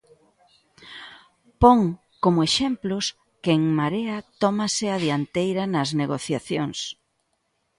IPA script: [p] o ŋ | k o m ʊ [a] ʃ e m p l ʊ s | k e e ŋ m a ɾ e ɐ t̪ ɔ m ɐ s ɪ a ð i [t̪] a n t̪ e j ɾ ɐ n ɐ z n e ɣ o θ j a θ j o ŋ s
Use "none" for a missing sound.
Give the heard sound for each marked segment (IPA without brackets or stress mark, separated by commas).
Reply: p, e, none